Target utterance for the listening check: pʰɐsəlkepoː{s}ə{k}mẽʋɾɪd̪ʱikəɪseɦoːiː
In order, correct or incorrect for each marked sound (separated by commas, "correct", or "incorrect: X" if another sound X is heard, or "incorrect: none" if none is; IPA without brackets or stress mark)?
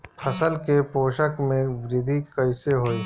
incorrect: ʃ, correct